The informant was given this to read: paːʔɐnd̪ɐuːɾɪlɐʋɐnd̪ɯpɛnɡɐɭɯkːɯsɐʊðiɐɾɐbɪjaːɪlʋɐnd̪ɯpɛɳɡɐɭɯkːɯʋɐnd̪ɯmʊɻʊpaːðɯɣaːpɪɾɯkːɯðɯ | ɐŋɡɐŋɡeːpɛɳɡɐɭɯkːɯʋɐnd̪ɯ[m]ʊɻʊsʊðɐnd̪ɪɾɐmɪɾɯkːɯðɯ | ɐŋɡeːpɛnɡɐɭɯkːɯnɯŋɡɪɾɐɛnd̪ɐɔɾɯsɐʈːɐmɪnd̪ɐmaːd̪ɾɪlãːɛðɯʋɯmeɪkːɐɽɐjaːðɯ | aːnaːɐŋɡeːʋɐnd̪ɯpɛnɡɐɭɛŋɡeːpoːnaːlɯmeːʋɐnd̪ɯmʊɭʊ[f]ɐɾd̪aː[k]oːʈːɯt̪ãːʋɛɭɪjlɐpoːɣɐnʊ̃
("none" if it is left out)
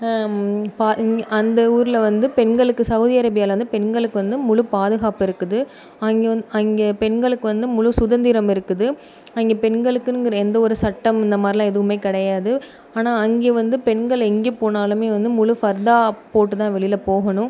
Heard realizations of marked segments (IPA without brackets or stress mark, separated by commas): m, f, p